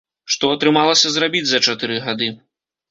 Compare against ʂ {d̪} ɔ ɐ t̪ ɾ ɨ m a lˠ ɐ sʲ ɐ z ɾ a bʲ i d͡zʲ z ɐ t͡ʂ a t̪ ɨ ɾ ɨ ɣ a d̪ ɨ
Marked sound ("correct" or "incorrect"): incorrect